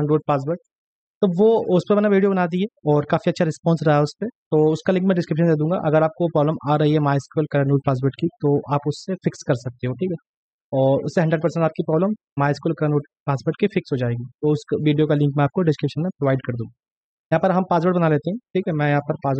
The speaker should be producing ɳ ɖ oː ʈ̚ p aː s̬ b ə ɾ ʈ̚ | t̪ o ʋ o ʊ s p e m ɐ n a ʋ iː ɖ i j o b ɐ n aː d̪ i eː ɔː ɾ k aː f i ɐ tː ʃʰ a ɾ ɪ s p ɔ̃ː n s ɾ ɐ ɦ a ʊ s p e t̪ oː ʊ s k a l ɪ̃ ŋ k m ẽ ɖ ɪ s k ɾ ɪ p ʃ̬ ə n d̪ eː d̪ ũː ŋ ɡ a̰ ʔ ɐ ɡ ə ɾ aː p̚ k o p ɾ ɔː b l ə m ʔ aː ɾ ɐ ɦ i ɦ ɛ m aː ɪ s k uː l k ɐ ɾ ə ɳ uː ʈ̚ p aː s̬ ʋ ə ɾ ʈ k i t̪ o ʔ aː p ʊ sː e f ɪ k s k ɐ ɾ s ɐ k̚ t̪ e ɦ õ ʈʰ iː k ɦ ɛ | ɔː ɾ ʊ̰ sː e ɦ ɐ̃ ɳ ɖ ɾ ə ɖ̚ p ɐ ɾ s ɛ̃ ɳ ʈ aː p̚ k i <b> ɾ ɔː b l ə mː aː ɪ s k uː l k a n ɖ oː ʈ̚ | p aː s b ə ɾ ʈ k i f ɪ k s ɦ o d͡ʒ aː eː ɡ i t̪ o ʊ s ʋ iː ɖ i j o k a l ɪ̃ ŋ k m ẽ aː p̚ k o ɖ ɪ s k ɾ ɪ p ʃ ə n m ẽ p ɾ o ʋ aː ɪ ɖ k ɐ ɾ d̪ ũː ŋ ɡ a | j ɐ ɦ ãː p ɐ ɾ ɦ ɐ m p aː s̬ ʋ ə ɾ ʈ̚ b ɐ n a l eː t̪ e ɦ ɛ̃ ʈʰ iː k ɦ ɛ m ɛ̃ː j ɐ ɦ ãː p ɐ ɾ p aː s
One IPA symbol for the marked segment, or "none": p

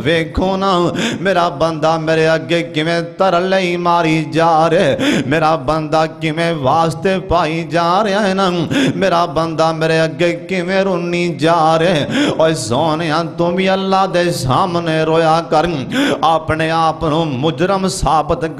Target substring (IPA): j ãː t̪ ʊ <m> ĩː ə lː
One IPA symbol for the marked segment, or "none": m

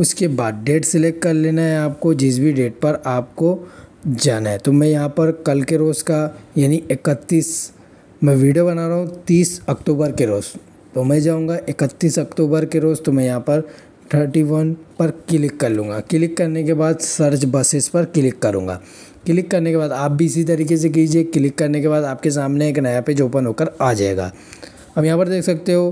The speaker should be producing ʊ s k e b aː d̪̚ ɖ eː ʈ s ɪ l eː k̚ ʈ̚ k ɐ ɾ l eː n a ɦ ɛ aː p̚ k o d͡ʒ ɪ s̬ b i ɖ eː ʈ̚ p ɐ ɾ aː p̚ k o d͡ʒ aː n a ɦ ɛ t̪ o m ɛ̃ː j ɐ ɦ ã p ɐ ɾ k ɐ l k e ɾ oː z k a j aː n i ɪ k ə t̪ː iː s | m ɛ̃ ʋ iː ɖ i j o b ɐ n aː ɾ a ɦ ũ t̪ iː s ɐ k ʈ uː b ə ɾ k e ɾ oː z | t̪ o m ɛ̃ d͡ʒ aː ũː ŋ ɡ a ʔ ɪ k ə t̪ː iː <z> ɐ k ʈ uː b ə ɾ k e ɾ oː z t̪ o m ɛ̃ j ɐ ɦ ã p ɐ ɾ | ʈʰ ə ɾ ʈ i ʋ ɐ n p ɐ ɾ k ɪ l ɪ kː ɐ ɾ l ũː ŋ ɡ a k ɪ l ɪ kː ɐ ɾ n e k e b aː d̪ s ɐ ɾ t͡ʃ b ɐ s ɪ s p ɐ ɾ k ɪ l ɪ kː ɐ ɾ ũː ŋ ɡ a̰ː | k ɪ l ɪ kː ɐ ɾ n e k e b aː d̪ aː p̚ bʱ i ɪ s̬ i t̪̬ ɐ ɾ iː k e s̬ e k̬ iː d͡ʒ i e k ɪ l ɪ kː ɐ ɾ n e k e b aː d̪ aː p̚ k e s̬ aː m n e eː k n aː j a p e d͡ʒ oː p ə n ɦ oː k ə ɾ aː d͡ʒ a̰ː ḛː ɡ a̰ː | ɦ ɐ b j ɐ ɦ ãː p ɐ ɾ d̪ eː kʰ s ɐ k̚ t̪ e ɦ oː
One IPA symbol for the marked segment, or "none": s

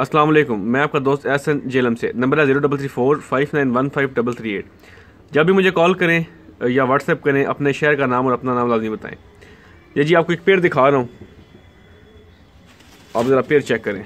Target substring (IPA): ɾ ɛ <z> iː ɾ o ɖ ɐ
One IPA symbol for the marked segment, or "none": z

